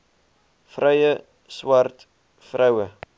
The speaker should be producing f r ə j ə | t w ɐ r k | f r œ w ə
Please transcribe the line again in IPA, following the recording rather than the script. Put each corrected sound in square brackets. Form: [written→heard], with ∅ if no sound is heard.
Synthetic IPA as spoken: f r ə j ə | [t→s] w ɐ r [k→t] | f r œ w ə